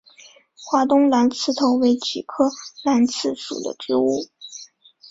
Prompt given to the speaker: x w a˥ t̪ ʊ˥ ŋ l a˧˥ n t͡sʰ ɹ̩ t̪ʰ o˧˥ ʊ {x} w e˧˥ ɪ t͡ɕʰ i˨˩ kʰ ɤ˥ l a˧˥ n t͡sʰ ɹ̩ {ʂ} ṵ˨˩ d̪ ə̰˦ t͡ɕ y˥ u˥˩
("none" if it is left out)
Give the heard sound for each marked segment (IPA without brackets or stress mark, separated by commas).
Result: none, ʂ